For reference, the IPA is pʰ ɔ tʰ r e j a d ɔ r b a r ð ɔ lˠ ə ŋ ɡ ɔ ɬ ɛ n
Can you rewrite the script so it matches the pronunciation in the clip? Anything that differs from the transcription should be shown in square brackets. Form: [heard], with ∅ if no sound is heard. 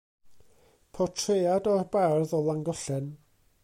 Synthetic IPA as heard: pʰ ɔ tʰ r e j a d ɔ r b a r ð ɔ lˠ [a] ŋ ɡ ɔ ɬ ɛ n